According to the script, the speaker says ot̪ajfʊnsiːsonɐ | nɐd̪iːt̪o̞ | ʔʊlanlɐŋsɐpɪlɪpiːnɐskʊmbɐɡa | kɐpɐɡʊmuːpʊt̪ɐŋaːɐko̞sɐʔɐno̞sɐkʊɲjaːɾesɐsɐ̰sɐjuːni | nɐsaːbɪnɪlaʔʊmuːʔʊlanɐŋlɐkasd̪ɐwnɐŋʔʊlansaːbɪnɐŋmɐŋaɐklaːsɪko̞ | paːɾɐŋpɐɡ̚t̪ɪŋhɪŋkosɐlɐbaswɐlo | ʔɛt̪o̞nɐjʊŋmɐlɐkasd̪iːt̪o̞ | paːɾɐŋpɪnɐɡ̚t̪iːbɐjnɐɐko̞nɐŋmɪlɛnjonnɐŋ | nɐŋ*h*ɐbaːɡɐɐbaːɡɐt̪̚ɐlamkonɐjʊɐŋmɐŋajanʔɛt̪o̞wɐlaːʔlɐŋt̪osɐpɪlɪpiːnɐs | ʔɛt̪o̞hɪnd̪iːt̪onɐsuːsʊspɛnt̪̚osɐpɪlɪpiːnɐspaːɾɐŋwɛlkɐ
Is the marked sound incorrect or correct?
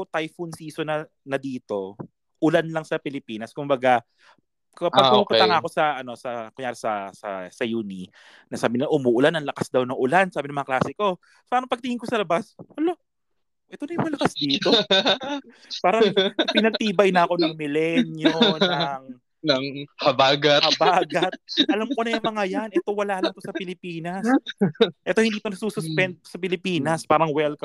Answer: correct